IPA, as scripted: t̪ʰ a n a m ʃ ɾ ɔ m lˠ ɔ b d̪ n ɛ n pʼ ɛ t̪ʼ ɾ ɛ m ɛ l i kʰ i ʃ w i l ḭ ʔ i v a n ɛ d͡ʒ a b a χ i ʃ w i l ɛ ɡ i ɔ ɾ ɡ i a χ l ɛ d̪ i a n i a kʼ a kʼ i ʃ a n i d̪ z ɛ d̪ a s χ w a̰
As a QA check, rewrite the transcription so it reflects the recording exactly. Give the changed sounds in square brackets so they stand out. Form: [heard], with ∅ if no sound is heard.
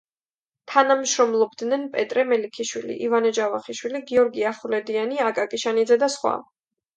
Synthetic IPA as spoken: t̪ʰ a n a m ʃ ɾ ɔ m lˠ ɔ b d̪ n ɛ n pʼ ɛ t̪ʼ ɾ ɛ m ɛ l i kʰ i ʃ w i l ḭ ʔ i v a n ɛ d͡ʒ a [v] a χ i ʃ w i l [i] ɡ i ɔ ɾ ɡ i a χ l ɛ d̪ i a n i a kʼ a kʼ i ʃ a n i d̪ z ɛ d̪ a s χ w a̰